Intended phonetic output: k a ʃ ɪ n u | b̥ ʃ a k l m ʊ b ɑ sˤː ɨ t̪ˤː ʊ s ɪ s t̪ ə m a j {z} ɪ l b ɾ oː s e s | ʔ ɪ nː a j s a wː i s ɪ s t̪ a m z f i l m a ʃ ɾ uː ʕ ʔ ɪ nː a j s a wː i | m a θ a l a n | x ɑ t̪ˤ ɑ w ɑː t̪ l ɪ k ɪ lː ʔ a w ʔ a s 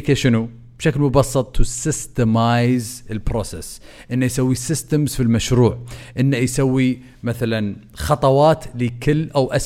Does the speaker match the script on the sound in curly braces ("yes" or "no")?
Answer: yes